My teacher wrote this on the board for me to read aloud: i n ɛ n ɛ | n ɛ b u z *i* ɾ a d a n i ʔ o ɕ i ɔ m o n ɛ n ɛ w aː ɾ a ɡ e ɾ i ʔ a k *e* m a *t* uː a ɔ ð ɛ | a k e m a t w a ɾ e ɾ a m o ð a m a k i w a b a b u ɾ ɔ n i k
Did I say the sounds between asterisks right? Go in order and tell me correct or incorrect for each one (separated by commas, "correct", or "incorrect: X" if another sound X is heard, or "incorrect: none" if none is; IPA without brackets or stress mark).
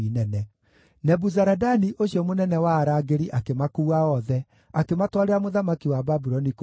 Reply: incorrect: a, correct, incorrect: k